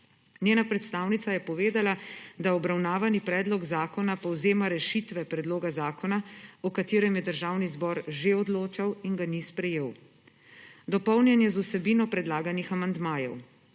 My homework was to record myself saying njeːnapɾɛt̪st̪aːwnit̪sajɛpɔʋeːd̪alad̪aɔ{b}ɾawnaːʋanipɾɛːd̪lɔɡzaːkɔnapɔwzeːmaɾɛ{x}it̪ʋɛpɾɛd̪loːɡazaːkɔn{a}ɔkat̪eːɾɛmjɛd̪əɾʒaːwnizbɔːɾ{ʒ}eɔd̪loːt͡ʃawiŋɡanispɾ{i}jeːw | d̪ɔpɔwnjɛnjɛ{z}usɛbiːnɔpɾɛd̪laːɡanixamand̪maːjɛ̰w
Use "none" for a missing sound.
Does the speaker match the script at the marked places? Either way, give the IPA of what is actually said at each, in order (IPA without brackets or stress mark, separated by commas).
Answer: b, ʃ, a, ʒ, ɛ, z